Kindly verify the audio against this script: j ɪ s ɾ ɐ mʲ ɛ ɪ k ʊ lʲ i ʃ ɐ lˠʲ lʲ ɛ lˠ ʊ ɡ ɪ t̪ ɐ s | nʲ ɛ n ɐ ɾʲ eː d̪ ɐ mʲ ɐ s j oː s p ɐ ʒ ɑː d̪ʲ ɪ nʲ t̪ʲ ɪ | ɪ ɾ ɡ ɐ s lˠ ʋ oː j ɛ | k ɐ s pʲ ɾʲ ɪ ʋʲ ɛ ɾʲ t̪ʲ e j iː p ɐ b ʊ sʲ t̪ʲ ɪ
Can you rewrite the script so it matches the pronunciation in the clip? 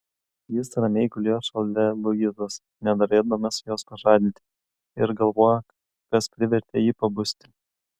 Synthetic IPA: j ɪ s ɾ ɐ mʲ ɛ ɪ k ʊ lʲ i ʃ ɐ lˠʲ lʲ ɛ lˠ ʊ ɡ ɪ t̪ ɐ s | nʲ ɛ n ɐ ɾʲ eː d̪ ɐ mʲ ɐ s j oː s p ɐ ʒ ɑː d̪ʲ ɪ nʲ t̪ʲ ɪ | ɪ ɾ ɡ ɐ lˠ ʋ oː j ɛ | k ɐ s pʲ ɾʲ ɪ ʋʲ ɛ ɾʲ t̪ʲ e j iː p ɐ b ʊ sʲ t̪ʲ ɪ